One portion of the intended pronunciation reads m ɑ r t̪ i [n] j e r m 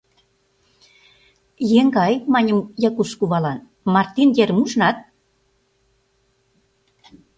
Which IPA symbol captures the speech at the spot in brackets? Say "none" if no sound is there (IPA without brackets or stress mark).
n